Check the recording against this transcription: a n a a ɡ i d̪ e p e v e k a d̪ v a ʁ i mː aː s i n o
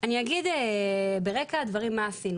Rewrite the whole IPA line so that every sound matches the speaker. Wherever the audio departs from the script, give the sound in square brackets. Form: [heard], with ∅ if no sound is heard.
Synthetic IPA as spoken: a n [i] a ɡ i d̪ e [b] e [ʁ] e k a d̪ v a ʁ i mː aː s i n [u]